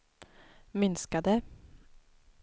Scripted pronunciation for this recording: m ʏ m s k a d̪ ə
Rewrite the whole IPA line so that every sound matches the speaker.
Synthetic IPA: m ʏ n s k a d̪ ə